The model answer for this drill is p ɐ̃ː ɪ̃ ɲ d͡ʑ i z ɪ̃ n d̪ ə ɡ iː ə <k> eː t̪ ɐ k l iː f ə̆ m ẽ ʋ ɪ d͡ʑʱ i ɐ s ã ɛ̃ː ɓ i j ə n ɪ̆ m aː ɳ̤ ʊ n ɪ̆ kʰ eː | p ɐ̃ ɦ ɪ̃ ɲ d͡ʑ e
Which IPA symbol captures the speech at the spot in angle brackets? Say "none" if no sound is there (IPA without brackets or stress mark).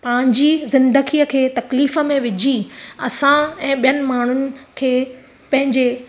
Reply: kʰ